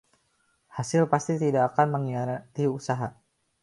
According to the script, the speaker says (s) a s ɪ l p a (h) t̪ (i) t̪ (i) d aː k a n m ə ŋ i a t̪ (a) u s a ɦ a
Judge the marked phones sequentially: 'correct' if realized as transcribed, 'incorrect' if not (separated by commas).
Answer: incorrect, incorrect, correct, correct, incorrect